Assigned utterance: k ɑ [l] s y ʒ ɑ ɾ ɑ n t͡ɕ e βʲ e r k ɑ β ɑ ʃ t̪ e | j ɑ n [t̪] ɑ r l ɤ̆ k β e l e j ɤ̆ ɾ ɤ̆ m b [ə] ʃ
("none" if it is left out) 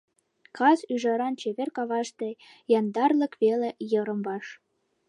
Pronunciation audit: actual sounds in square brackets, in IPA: none, d̪, ɑ

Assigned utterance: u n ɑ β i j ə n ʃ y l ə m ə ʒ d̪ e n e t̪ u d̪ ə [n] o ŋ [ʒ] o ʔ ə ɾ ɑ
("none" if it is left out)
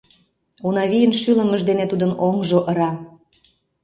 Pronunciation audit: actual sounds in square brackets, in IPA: n, ʒ

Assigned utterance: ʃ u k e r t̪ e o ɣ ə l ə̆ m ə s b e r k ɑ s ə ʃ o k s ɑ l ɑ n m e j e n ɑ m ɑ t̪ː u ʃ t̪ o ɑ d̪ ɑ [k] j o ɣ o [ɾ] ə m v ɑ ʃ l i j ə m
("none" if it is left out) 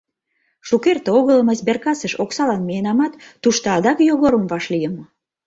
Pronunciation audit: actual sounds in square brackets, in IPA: k, ɾ

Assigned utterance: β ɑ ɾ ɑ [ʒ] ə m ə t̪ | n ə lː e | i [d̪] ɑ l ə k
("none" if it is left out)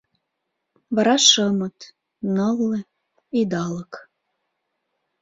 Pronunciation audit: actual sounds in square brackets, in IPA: ʃ, d̪

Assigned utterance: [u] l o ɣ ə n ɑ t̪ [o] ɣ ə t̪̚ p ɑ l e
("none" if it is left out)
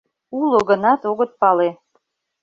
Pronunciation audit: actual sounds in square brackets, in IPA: u, o

